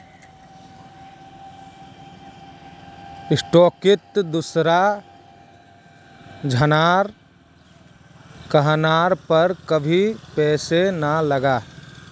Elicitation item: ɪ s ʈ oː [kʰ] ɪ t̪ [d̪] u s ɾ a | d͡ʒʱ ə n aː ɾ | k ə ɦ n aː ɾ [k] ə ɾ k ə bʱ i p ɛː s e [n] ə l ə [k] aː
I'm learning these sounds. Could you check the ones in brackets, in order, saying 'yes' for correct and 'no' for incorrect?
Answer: no, yes, no, yes, no

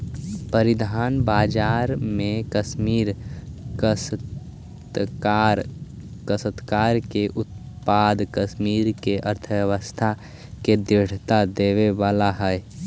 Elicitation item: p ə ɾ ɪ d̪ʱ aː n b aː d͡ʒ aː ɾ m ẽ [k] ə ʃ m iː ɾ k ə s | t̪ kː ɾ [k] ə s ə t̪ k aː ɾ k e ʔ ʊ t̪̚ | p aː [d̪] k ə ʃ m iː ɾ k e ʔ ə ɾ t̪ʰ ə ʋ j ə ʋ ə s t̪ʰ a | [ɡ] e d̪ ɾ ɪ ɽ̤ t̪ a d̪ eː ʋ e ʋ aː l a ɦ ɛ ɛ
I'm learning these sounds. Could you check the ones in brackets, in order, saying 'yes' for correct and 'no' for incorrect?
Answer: yes, yes, yes, no

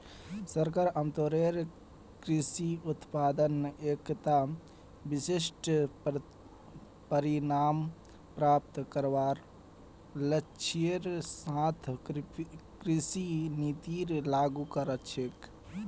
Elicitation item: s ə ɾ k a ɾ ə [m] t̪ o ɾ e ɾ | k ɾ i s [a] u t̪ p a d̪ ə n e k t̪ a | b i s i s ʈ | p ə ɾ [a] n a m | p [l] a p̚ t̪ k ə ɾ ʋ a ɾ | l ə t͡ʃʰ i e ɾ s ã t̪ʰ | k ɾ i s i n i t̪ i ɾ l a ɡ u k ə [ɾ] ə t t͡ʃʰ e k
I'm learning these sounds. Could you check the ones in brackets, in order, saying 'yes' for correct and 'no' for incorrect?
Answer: yes, no, no, no, yes

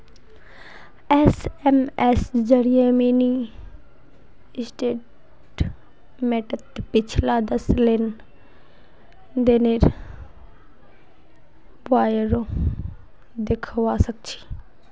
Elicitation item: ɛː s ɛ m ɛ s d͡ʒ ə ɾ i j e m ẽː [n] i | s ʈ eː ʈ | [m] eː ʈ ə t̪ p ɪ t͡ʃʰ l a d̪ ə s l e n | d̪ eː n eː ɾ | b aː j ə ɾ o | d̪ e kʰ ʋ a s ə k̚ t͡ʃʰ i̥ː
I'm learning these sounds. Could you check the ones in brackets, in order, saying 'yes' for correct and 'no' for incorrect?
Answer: yes, yes

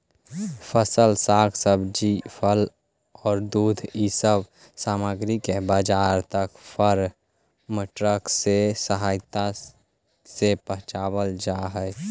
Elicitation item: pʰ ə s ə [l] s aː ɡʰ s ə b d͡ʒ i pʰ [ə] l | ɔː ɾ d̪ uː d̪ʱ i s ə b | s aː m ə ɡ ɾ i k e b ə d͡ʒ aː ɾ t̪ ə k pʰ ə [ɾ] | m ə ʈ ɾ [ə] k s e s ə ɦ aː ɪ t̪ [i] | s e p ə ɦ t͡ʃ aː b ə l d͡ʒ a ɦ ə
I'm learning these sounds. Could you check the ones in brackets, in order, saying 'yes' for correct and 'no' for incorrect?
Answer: yes, yes, yes, yes, no

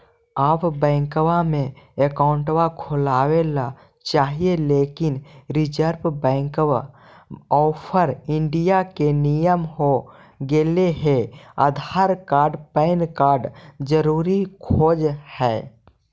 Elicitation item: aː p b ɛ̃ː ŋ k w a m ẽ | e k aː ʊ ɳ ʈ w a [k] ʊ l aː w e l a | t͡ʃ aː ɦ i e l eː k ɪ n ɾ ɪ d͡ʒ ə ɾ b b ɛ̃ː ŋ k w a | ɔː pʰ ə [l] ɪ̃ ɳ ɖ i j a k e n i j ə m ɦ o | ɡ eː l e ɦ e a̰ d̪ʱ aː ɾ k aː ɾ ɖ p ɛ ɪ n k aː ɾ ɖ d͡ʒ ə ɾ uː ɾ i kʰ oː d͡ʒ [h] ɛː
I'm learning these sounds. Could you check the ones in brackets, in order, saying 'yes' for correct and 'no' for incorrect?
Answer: no, no, yes

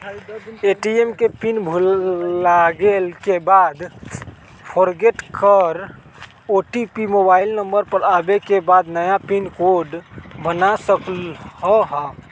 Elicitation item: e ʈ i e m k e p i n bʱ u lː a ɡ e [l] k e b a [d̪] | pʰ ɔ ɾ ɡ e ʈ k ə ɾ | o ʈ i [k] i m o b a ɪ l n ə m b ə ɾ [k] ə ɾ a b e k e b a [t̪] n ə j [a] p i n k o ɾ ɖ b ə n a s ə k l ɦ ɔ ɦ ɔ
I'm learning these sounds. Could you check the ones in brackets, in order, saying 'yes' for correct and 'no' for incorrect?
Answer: yes, yes, no, no, no, yes

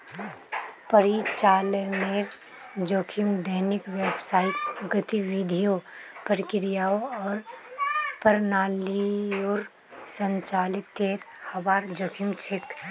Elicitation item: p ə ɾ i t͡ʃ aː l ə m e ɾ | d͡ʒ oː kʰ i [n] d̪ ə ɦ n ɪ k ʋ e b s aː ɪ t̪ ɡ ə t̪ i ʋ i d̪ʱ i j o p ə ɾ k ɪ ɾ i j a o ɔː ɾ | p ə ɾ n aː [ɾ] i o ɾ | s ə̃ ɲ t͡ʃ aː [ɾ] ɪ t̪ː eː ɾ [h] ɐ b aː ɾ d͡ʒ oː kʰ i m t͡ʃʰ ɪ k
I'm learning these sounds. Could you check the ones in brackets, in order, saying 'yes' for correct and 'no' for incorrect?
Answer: no, no, no, yes

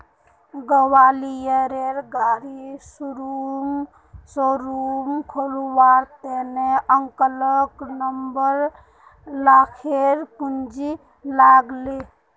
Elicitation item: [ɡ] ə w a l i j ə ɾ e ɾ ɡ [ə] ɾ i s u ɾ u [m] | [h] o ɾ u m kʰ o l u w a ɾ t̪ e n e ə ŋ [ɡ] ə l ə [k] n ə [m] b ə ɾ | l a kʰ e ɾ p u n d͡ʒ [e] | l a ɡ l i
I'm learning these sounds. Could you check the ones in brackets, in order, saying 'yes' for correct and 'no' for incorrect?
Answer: yes, no, yes, no, no, yes, yes, no

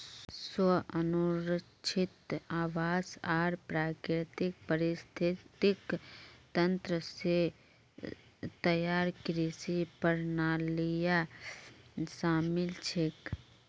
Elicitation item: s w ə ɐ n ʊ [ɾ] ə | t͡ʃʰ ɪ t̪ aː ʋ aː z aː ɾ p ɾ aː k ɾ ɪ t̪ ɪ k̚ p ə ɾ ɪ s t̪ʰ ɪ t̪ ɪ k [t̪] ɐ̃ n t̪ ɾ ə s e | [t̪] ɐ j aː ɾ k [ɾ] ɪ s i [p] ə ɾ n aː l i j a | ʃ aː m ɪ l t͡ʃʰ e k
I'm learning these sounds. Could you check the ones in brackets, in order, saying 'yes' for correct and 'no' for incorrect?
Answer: yes, yes, yes, yes, yes

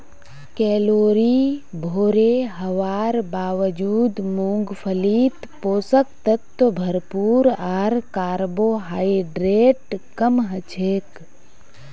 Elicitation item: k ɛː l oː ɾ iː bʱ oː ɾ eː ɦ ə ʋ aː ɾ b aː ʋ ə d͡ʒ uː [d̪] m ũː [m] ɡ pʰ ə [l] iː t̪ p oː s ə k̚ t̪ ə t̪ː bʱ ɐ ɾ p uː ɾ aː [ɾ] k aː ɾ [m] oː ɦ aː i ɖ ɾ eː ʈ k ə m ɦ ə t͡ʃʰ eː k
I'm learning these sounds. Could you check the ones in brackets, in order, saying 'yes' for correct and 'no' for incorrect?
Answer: yes, no, yes, yes, no

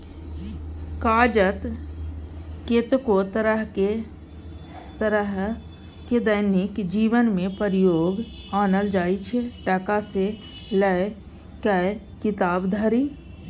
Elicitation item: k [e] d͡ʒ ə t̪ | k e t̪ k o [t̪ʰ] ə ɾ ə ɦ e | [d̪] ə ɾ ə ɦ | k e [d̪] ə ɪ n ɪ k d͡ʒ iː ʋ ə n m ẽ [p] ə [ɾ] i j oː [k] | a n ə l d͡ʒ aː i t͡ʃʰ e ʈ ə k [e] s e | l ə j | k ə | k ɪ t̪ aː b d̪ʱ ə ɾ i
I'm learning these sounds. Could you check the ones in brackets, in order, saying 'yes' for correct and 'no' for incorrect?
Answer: no, no, no, yes, yes, yes, no, no

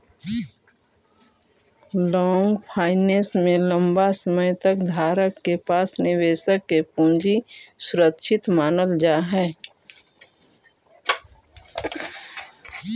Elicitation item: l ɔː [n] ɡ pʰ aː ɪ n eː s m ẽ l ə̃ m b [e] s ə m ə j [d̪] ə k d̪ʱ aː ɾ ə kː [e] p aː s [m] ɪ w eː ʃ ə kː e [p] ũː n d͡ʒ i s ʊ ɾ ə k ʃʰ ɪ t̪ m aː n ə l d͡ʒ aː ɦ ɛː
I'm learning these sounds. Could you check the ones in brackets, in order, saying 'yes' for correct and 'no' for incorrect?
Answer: no, no, no, yes, no, yes

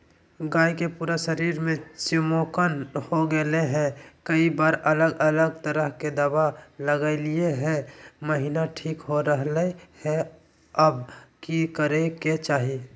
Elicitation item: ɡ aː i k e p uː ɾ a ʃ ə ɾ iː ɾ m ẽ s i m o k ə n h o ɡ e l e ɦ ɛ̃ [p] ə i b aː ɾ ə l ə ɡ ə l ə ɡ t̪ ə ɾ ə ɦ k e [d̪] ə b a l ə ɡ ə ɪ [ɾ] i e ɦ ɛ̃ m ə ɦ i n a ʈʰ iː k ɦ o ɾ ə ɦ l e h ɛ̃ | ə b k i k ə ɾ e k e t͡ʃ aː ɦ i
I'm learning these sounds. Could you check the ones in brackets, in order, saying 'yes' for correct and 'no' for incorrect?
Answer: no, yes, no

